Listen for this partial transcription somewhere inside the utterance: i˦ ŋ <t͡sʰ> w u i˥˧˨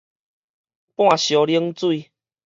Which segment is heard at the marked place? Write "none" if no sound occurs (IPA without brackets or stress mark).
t͡s